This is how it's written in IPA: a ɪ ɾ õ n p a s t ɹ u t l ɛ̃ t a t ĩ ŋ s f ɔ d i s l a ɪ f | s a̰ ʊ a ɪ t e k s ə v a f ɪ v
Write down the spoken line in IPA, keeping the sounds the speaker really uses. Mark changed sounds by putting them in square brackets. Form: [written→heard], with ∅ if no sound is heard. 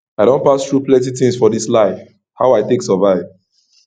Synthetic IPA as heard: a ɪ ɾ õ n p a s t ɹ u [t→p] l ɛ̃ t [a→i] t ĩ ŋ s f ɔ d i s l a ɪ f | [s→h] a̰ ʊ a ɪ t e k s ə v a [f→∅] ɪ v